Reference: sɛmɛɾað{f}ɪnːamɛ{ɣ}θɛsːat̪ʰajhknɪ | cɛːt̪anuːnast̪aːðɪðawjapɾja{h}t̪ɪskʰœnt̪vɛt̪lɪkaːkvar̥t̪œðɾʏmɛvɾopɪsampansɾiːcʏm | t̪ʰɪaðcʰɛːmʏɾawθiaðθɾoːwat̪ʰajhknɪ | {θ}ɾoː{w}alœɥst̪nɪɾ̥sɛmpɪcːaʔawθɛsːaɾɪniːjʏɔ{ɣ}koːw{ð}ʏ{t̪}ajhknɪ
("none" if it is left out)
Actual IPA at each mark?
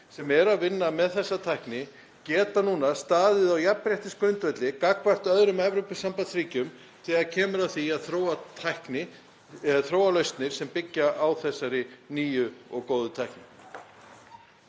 v, ð, h, θ, w, ɣ, ð, t̪ʰ

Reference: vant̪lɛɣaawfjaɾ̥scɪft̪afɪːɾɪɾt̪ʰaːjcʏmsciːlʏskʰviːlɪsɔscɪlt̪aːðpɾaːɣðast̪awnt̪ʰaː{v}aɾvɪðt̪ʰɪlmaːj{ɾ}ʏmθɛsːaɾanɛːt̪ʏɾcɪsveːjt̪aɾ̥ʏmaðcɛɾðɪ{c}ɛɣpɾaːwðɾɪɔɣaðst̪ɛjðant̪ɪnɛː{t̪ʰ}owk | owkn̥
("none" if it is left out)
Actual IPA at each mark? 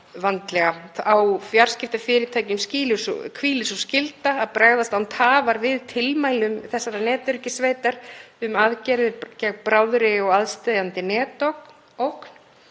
v, l, c, t̪

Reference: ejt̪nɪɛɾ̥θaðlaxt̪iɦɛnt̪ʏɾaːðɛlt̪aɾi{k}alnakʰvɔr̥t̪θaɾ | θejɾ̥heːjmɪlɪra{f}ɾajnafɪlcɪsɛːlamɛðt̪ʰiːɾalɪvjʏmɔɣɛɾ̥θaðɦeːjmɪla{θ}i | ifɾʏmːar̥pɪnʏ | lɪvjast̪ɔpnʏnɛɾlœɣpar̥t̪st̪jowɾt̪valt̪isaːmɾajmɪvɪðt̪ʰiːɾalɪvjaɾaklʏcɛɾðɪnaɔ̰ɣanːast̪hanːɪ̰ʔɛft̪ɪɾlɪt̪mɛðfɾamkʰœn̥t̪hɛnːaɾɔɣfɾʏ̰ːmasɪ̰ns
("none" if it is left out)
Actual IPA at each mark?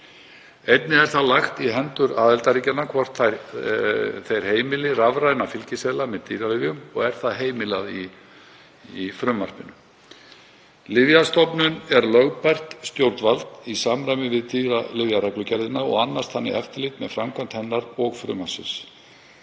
c, v, ð

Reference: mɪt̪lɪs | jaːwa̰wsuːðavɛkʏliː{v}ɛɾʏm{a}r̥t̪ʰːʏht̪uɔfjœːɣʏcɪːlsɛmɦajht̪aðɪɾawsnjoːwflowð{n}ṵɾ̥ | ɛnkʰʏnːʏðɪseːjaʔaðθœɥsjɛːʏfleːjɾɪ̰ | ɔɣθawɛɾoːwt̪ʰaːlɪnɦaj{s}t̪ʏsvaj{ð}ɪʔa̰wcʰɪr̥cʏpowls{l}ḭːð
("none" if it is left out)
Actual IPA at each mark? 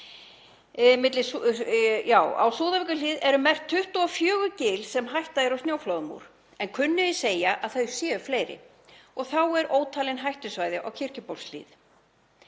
ð, ɛ, m, h, ð, l

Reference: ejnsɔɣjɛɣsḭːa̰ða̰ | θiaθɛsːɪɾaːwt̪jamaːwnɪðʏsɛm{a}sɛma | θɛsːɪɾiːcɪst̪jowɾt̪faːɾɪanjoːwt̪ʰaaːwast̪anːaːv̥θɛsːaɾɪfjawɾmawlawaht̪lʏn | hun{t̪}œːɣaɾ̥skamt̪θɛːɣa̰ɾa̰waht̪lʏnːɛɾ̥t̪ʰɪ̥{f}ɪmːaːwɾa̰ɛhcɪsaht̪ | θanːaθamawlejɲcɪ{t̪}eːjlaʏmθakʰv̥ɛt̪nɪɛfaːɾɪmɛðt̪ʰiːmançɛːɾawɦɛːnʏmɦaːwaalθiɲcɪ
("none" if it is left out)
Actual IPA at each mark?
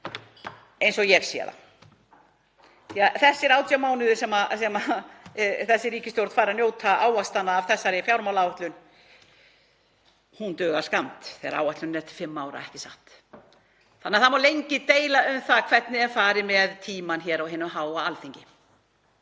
a, t̪, f, t̪

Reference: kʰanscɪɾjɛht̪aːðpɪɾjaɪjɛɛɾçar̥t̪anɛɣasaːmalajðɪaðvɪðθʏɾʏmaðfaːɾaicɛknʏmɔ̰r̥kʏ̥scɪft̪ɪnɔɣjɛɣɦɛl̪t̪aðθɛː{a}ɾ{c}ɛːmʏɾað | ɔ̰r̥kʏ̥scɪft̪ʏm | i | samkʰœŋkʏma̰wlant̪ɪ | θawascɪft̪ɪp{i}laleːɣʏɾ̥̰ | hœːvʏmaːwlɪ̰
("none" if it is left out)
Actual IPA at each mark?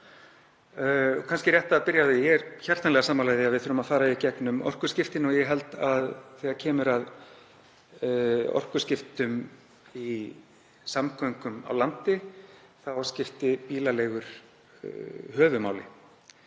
a, cʰ, iː

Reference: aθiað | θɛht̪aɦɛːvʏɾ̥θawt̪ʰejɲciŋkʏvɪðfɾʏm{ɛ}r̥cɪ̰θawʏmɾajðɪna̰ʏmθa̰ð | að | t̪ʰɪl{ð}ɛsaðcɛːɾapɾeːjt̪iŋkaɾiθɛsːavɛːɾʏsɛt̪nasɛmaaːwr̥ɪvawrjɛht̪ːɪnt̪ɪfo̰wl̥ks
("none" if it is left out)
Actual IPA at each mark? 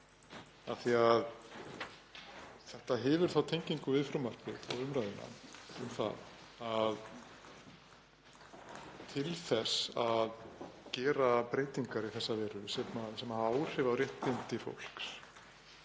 a, θ

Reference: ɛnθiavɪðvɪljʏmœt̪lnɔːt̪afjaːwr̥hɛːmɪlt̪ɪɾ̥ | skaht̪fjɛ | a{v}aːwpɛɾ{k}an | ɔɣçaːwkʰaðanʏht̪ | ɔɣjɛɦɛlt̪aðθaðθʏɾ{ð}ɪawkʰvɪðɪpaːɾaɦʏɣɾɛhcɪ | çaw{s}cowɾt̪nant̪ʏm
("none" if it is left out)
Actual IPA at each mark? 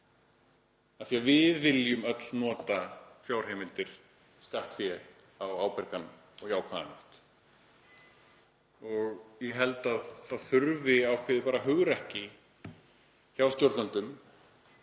w, k, v, s

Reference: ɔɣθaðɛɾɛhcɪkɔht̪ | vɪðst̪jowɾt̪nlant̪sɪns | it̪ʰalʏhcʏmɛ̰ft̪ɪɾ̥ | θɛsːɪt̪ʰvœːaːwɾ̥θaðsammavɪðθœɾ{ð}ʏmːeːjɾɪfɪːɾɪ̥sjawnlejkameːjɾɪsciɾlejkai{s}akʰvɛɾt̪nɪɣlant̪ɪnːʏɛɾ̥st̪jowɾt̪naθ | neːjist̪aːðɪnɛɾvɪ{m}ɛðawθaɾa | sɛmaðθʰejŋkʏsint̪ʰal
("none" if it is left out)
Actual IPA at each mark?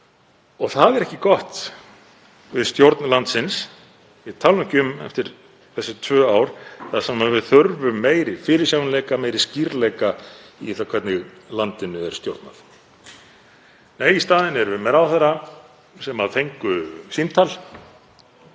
v, θ, m

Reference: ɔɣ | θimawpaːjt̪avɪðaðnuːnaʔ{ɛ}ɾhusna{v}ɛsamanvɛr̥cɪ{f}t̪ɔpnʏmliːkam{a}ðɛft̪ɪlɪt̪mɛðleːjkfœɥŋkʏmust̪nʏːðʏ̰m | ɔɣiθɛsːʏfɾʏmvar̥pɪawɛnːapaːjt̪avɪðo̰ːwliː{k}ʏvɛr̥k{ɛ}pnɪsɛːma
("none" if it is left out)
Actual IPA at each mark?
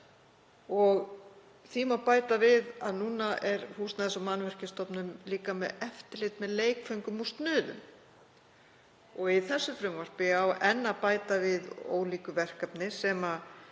ɛ, ð, s, ɛ, k, a

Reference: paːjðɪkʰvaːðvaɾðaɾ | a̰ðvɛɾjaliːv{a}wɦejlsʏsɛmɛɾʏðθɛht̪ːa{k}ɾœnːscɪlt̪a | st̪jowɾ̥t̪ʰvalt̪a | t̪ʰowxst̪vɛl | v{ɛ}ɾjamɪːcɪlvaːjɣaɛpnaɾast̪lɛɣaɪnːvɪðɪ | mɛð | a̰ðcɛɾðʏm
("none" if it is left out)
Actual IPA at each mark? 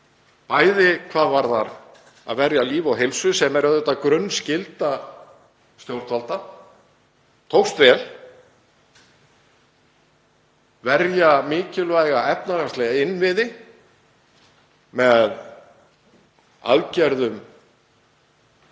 a, k, ɛ

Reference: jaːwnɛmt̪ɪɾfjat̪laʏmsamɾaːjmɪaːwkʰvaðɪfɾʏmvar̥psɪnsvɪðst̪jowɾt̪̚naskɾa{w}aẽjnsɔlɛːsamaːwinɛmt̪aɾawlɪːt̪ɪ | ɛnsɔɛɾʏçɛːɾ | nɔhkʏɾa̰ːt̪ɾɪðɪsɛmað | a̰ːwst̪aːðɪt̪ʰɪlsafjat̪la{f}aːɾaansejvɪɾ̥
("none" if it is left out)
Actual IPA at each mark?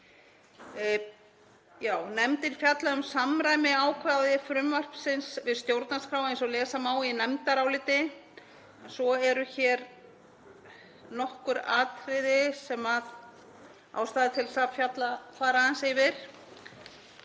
w, f

